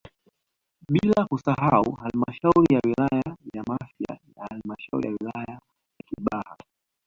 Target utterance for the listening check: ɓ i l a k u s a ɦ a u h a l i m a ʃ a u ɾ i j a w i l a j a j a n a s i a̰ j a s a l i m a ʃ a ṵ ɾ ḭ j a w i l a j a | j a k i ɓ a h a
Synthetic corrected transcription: ɓ i l a k u s a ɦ a u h a l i m a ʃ a u ɾ i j a w i l a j a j a m a f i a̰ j a h a l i m a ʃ a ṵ ɾ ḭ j a w i l a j a | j a k i ɓ a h a